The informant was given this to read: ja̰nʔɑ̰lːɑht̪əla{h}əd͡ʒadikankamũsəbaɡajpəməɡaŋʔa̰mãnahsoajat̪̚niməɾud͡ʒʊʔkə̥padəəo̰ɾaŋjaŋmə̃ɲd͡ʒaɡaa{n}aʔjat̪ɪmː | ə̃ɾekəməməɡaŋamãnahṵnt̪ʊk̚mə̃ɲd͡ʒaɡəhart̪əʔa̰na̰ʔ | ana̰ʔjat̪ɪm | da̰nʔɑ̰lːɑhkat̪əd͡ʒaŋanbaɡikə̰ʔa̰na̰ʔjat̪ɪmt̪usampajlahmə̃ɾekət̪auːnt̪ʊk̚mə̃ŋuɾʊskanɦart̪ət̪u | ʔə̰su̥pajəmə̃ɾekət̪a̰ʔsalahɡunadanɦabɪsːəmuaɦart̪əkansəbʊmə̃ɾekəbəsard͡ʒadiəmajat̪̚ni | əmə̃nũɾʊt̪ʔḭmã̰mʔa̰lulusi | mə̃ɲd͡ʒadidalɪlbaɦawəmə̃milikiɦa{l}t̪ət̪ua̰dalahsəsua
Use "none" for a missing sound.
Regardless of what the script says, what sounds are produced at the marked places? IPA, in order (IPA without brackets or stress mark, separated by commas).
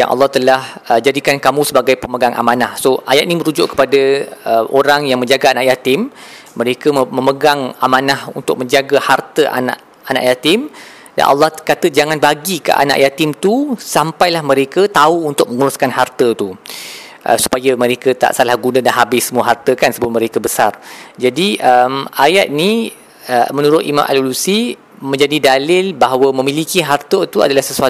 h, n, r